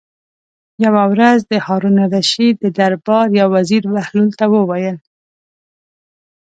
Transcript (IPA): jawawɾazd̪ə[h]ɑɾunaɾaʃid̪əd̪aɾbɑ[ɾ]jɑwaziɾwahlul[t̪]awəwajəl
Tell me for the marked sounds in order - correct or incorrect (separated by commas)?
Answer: correct, correct, correct